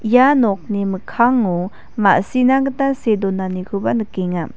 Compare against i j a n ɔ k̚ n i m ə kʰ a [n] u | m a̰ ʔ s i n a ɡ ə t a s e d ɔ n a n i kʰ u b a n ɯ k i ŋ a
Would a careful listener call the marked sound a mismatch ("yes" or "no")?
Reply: yes